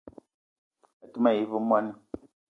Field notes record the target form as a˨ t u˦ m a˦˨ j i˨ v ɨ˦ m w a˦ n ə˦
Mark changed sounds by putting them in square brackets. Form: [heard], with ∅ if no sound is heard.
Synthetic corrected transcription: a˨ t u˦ m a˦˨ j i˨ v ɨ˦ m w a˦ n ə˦